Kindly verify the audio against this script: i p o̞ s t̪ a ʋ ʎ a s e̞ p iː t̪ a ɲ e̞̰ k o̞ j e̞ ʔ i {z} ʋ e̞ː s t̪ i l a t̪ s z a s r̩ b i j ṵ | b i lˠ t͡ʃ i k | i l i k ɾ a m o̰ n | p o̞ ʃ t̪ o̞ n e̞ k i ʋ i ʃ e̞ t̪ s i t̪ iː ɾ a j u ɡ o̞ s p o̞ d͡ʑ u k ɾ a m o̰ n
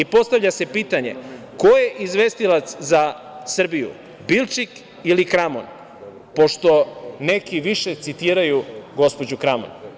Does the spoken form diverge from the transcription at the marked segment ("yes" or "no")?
no